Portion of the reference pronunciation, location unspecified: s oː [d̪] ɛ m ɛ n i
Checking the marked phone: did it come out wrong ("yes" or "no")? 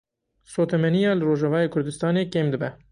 yes